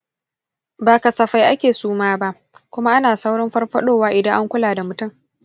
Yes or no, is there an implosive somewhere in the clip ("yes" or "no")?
yes